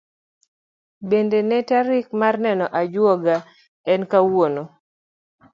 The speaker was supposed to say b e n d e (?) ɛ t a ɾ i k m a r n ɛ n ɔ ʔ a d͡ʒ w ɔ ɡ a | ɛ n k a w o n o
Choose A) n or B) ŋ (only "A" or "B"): A